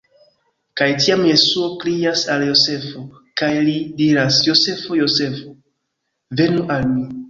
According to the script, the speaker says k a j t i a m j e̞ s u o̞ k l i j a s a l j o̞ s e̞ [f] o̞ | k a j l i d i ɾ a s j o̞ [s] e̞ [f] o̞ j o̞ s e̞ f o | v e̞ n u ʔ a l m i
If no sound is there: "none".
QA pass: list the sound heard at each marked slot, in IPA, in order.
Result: f, s, f

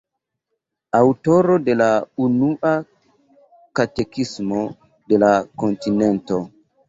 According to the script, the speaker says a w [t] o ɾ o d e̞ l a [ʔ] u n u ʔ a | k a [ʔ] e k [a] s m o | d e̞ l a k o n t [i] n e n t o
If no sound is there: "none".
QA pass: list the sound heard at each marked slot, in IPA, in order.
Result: t, none, t, i, i

